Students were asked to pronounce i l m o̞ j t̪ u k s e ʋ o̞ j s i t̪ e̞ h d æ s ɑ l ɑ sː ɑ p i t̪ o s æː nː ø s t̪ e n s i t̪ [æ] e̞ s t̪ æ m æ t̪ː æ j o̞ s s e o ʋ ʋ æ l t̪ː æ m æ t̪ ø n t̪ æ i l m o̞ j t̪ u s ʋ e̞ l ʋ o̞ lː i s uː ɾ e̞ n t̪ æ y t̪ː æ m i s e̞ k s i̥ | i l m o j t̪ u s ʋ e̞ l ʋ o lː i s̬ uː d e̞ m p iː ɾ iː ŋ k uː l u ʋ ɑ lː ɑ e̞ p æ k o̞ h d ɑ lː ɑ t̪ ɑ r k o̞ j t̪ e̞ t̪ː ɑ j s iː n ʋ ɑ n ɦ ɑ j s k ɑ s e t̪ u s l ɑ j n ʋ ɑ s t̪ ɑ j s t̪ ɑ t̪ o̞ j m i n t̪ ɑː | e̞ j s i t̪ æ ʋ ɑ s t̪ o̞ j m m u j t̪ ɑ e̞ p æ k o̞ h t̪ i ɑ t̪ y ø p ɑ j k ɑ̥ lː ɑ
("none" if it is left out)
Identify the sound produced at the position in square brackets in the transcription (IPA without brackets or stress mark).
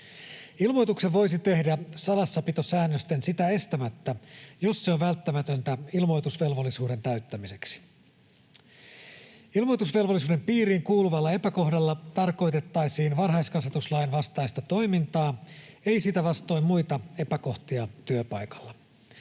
æ